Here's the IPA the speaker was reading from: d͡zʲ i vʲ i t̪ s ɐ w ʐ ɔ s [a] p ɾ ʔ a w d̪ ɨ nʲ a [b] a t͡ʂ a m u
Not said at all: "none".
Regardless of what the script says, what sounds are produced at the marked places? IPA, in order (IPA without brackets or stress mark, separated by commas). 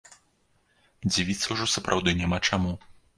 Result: ɐ, m